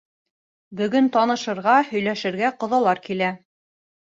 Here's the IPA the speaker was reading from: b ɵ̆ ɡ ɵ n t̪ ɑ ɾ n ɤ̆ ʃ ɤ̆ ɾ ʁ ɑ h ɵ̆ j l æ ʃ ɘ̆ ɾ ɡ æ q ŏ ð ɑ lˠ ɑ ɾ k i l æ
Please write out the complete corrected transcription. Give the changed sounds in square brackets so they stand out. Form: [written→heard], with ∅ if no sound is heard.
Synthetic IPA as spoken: b ɵ̆ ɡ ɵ n t̪ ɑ [ɾ→∅] n ɤ̆ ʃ ɤ̆ ɾ ʁ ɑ h ɵ̆ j l æ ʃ ɘ̆ ɾ ɡ æ q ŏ ð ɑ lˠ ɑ ɾ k i l æ